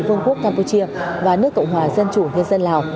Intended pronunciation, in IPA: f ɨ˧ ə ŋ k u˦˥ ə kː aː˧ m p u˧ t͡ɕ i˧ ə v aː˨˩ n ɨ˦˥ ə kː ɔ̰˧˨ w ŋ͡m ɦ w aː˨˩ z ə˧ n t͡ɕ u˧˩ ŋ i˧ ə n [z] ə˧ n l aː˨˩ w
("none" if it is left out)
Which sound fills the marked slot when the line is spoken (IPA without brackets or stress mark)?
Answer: z